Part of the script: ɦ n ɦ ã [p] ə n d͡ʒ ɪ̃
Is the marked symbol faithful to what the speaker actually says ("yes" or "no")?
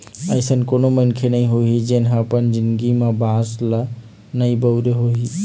yes